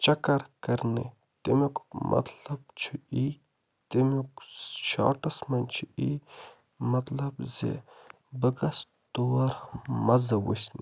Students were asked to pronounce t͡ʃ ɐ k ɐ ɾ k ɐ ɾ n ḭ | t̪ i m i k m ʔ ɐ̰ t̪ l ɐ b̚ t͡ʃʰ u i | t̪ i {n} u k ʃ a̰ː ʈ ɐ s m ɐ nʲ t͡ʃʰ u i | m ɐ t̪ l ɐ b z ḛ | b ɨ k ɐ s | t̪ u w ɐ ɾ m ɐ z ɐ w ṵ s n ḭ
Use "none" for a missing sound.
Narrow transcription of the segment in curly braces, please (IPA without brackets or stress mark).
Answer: m